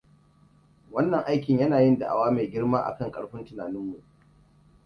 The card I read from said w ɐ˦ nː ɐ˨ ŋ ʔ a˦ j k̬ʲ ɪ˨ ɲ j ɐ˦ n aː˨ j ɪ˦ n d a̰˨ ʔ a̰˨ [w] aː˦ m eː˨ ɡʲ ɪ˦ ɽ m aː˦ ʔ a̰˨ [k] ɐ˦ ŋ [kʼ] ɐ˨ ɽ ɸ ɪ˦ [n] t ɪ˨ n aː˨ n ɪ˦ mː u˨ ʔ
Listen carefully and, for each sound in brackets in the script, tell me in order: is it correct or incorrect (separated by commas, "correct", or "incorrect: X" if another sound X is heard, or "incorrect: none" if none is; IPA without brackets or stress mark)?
correct, correct, correct, correct